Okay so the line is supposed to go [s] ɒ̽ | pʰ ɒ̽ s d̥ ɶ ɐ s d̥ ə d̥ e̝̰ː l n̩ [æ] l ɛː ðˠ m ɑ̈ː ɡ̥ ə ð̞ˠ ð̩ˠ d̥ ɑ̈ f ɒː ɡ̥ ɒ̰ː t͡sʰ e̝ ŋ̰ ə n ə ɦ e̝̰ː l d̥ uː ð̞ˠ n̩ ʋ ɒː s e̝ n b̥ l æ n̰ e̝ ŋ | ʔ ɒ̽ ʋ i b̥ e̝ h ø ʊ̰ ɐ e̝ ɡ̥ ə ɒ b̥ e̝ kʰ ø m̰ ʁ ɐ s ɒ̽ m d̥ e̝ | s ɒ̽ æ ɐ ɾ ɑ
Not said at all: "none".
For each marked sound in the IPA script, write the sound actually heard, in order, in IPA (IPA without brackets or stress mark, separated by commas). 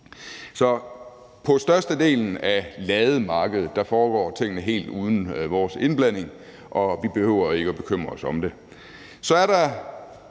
s, æ